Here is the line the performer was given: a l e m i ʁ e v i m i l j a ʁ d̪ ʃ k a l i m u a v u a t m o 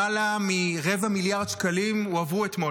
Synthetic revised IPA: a l a m i ʁ e v a m i l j a ʁ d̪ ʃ k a l i m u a v u e t m o

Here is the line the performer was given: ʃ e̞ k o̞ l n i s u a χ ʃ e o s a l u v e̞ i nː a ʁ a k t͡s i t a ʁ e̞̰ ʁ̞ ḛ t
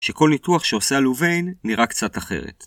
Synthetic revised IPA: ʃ e̞ k o̞ l n i t u a χ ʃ e o s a l u v e̞ j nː i ʁ a k t͡s a t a χ e̞̰ ʁ̞ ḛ t

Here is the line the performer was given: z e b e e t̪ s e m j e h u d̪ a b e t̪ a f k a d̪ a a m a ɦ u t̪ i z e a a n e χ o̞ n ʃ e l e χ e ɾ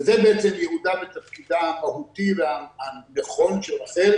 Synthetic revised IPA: z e b e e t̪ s e m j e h u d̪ a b e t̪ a f k i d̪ a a m a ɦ u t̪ i v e a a n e χ o̞ n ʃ e l a χ e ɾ

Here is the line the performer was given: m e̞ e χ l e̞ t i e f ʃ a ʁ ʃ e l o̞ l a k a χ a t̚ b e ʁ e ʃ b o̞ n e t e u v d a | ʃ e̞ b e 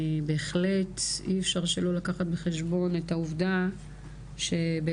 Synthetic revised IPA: b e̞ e χ l e̞ t i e f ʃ a ʁ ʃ e l o̞ l a k a χ a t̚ b e χ e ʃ b o̞ n e t a u v d a | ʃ e̞ b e

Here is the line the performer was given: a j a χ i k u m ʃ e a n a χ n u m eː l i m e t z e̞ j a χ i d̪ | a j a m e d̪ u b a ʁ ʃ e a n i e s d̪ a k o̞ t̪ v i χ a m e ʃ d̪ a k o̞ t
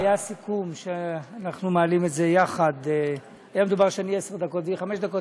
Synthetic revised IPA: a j a s i k u m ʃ e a n a χ n u m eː l i m e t z e̞ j a χ a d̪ | a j a m e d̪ u b a ʁ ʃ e a n i e s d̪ a k o̞ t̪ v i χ a m e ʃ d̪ a k o̞ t

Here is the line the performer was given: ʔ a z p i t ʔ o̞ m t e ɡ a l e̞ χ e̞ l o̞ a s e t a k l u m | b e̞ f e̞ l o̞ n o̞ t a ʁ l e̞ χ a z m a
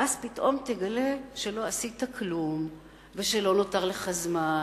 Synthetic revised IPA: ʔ a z p i t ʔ o̞ m t e ɡ a l e̞ ʃ e̞ l o̞ a s i t a k l u m | v e̞ ʃ e̞ l o̞ n o̞ t a ʁ l e̞ χ a z m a

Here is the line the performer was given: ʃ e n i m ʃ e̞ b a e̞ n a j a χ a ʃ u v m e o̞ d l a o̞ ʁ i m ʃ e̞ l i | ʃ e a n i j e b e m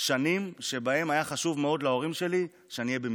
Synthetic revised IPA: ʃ a n i m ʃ e̞ b a e̞ m a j a χ a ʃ u v m e o̞ d l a o̞ ʁ i m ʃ e̞ l i | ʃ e a n i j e b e m

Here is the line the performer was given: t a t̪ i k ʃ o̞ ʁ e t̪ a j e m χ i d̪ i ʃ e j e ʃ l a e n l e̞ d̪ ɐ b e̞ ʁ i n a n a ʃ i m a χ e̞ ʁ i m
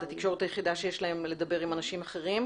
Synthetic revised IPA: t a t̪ i k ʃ o̞ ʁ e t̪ a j e χ i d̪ a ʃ e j e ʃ l a e m l e̞ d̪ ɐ b e̞ ʁ i m a n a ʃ i m a χ e̞ ʁ i m

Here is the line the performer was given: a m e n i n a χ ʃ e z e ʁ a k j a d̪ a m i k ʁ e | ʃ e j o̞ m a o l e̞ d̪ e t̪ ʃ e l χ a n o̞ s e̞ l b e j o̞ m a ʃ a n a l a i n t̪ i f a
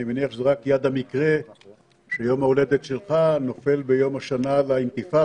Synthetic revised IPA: i m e n i a χ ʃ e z e ʁ a k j a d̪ a m i k ʁ e | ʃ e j o̞ m a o l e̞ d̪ e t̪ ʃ e l χ a n o̞ f e̞ l b e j o̞ m a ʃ a n a l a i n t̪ i f a

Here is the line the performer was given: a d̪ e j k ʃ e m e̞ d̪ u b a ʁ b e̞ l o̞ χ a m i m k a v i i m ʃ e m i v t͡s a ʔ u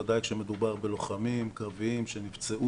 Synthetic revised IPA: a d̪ a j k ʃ e m e̞ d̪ u b a ʁ b e̞ l o̞ χ a m i m k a v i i m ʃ e n i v t͡s e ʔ u

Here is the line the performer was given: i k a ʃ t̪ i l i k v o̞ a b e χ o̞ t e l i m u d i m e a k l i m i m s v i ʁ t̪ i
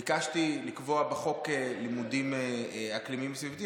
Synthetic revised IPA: i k a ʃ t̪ i l i k v o̞ a b e χ o̞ k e l i m u d i m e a k l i m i m s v i v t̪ i

